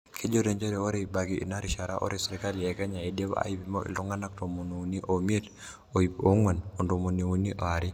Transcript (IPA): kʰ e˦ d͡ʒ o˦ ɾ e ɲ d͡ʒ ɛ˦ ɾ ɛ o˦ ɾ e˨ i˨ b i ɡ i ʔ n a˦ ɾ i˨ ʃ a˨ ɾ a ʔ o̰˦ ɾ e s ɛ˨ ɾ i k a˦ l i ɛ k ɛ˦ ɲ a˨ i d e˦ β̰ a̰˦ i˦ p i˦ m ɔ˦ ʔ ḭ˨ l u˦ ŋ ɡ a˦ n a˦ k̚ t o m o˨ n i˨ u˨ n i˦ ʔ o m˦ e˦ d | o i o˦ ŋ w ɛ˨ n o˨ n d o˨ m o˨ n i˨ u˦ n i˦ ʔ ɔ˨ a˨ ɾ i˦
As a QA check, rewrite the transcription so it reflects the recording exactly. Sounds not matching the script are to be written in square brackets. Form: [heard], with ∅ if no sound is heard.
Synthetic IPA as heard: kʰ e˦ d͡ʒ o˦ ɾ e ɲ d͡ʒ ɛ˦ ɾ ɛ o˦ ɾ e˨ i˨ b [a] ɡ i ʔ n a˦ ɾ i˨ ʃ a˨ ɾ a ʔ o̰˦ ɾ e s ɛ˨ ɾ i k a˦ l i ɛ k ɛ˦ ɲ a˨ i d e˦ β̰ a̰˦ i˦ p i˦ m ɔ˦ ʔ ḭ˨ l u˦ ŋ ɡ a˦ n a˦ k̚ t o m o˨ n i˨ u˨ n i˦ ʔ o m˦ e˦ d | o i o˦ ŋ w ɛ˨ n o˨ n d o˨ m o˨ n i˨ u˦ n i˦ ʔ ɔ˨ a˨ ɾ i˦